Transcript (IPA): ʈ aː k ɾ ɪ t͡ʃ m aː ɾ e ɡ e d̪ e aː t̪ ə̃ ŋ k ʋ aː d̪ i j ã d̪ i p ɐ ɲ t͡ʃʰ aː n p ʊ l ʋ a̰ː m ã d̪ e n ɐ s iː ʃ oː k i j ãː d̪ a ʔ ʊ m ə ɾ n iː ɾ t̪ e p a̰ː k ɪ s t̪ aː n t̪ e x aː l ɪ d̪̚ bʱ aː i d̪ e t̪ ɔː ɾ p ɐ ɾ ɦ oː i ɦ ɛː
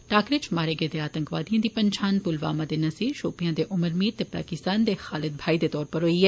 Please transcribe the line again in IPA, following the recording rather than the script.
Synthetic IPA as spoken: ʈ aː k ɾ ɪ t͡ʃ m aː ɾ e ɡ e d̪ e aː t̪ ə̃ ŋ k ʋ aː d̪ i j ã d̪ i p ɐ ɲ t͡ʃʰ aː n p ʊ l ʋ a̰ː m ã d̪ e n ɐ s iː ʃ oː p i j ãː d̪ e ʔ ʊ m ə ɾ m iː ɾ t̪ e p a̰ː k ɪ s t̪ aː n d̪ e x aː l ɪ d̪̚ bʱ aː i d̪ e t̪ ɔː ɾ p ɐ ɾ ɦ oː i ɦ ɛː